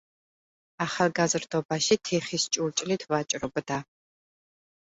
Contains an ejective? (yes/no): yes